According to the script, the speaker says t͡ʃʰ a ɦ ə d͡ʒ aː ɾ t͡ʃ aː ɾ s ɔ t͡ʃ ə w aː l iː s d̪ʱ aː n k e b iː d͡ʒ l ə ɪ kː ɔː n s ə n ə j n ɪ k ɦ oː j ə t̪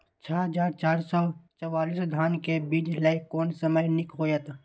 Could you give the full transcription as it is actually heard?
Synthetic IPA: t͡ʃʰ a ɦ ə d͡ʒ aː ɾ t͡ʃ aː ɾ s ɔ t͡ʃ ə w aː l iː s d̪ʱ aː n k e b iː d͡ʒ l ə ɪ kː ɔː n s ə m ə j n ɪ k ɦ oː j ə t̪